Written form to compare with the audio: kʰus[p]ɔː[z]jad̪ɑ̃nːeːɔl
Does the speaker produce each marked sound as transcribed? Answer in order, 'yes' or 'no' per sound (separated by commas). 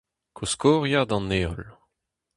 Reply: no, no